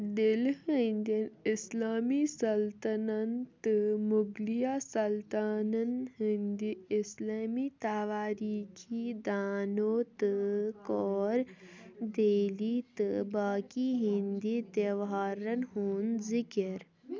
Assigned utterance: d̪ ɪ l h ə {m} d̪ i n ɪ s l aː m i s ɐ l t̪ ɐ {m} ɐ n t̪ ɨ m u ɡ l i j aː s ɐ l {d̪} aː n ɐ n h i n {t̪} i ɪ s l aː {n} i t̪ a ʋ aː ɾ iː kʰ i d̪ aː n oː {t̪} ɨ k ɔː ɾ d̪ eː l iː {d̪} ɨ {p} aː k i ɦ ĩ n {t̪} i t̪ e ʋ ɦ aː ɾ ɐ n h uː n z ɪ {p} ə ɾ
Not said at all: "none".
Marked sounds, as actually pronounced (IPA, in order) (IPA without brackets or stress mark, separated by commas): n, n, t̪, d̪, m, t̪, t̪, b, d̪, k